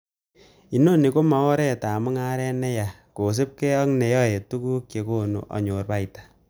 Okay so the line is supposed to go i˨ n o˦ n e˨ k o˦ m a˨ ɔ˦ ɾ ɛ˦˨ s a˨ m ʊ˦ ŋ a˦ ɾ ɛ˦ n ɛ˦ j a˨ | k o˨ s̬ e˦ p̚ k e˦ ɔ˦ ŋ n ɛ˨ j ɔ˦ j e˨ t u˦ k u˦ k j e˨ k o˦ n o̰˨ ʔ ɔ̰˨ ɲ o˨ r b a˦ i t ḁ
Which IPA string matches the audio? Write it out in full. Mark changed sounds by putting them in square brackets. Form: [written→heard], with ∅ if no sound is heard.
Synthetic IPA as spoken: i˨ n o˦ n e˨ k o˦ m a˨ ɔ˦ ɾ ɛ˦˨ [s→t] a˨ m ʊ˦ ŋ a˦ ɾ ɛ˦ n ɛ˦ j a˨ | k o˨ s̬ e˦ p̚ k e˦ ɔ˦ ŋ n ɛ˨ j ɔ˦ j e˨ t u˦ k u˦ k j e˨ k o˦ n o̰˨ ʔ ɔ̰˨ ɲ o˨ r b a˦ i t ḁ

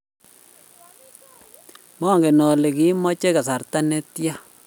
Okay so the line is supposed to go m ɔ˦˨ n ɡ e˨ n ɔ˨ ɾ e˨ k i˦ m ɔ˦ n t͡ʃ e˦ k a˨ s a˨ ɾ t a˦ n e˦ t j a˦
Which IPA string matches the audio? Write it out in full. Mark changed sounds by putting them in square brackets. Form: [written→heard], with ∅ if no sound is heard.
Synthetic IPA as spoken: m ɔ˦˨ [n→ŋ] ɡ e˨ n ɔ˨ [ɾ→l] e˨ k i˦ m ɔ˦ [n→∅] t͡ʃ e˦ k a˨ s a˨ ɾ t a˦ n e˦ t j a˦

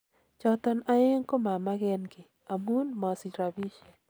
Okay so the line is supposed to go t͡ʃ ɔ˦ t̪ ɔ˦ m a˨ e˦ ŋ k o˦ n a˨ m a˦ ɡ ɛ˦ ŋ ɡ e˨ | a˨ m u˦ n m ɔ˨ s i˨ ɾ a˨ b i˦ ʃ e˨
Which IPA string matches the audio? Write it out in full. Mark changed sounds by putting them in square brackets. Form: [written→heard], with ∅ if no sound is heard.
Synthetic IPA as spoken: t͡ʃ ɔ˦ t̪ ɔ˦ [m→n] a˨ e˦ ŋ k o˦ [n→m] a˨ m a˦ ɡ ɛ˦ [ŋ→n] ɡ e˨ | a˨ m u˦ n m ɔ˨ s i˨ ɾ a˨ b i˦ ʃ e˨

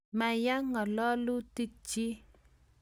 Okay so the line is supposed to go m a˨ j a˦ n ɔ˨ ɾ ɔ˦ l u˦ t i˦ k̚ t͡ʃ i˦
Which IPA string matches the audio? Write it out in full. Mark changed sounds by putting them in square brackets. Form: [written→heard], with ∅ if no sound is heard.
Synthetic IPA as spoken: m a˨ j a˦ [n→ŋ] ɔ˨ [ɾ→l] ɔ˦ l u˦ t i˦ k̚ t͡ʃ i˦

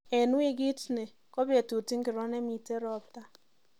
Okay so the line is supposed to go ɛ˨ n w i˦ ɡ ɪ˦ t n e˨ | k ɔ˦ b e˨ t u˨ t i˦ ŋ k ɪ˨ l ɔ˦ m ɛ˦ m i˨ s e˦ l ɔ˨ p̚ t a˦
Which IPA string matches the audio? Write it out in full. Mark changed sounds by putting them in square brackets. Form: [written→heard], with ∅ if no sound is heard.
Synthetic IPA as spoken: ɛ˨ n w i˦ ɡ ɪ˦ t n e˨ | k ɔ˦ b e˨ t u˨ t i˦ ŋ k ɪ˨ [l→ɾ] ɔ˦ [m→n] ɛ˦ m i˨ [s→t] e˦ [l→ɾ] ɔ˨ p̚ t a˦

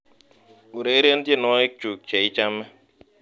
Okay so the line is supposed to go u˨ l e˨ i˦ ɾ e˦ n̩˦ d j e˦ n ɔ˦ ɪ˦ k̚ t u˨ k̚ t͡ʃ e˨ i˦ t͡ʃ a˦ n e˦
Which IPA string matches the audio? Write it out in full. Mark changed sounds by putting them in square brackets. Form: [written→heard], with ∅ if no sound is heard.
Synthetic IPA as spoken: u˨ [l→ɾ] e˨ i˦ ɾ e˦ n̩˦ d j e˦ n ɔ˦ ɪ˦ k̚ [t→t͡ʃ] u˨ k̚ t͡ʃ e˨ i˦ t͡ʃ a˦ [n→m] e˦

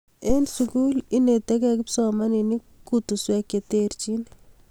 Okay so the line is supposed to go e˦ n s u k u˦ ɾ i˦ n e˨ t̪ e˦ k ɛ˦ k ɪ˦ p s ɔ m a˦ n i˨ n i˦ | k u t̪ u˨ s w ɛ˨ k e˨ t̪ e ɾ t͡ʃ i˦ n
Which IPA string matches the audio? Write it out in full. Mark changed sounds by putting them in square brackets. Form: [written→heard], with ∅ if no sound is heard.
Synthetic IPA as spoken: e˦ n s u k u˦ [ɾ→l] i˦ n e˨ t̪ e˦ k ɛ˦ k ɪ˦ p s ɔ m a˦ n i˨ n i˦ | k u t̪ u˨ s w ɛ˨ k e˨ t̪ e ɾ t͡ʃ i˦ n

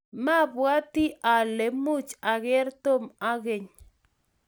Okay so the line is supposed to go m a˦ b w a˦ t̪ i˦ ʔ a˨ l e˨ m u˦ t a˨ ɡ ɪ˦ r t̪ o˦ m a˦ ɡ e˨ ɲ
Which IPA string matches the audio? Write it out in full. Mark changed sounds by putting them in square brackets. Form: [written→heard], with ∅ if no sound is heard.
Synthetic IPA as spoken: m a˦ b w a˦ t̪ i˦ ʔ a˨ l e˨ m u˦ [t→t͡ʃ] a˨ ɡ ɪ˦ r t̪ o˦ m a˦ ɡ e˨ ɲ

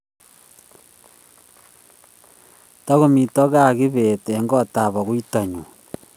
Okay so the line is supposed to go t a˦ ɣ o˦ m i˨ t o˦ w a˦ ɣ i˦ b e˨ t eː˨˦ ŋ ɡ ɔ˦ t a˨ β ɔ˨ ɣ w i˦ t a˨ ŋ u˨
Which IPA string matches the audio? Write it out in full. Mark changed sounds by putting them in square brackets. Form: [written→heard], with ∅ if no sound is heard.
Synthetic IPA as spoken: t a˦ ɣ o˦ m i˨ t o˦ [w→ɣ] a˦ ɣ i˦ [b→β] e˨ t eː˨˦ ŋ ɡ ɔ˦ t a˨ β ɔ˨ ɣ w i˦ t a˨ [ŋ→ɲ] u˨

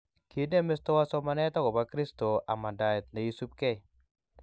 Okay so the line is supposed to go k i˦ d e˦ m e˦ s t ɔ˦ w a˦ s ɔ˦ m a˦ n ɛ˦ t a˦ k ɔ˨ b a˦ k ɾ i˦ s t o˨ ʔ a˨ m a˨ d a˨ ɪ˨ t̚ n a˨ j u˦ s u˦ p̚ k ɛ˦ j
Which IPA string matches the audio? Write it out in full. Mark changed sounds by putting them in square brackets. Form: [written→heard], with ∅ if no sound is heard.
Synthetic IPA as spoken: k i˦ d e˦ m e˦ s t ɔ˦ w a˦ s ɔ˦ m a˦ n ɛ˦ t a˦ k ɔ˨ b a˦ k ɾ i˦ s t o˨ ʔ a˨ m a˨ d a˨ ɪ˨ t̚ n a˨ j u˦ s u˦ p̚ k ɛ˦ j

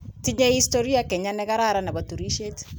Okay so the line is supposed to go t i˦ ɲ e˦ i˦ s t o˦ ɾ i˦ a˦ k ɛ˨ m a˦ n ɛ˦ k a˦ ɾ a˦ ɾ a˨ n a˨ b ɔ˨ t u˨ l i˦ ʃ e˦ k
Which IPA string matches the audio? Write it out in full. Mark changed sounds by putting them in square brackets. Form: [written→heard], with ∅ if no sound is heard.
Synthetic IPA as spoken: t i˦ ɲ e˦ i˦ s t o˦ ɾ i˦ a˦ k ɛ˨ [m→ɲ] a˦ n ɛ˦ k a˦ ɾ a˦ ɾ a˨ n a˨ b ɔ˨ t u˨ [l→ɾ] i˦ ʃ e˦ [k→t]

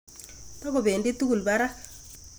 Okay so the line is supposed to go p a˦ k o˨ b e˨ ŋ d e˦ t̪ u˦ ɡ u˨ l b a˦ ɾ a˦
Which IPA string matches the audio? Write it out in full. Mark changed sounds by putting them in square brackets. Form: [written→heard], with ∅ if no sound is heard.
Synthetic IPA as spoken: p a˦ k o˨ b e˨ [ŋ→n] d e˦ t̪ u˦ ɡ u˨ l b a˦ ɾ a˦

